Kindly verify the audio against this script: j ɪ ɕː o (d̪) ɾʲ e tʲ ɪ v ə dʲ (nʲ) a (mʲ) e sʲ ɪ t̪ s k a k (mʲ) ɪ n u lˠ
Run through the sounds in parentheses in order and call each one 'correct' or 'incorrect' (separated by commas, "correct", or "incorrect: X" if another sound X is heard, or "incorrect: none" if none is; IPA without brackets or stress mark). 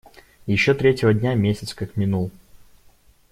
incorrect: t̪, correct, correct, correct